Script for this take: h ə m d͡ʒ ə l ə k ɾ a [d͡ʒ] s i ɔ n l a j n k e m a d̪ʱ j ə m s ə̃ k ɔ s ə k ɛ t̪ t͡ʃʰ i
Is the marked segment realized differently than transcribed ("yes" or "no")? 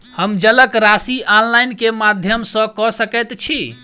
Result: yes